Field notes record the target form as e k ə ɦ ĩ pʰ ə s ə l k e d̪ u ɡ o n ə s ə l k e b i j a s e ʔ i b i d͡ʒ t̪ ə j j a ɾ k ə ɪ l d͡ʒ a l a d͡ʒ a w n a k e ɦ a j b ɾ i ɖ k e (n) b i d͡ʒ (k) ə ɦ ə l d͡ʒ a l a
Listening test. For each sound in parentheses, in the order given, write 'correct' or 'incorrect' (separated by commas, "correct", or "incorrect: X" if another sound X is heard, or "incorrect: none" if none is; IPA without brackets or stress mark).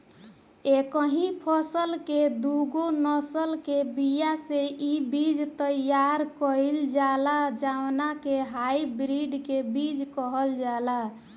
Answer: incorrect: none, correct